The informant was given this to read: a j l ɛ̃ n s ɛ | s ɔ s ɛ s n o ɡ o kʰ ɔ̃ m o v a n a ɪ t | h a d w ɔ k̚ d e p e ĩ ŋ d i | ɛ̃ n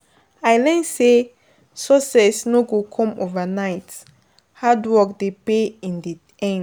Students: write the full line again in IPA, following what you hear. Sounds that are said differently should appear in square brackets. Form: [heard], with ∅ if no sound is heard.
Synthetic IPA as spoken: a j l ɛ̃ n s [e] | s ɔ s ɛ s n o ɡ o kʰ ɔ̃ m o v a n a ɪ t | h a d w ɔ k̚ d e p e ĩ [n] d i | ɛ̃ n